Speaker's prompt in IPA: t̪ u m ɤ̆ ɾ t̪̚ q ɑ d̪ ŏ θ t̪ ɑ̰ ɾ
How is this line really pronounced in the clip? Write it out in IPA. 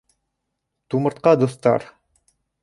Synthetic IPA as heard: t̪ u m ɤ̆ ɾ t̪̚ q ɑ d̪ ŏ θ t̪ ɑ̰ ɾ